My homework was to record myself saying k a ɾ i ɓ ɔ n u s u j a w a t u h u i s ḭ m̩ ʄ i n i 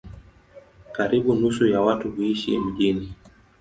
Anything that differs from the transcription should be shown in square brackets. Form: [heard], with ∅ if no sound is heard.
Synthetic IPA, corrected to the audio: k a ɾ i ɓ [u] n u s u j a w a t u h u i [ʃ] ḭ m̩ ʄ i n i